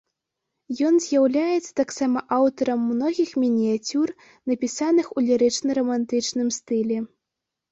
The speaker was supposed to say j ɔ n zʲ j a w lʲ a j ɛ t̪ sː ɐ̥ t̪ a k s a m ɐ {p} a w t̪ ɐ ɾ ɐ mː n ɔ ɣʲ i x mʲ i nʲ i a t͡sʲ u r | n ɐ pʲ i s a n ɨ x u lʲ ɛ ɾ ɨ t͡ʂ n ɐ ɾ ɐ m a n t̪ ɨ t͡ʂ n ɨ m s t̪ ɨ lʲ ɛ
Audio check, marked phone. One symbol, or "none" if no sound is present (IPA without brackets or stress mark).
ʔ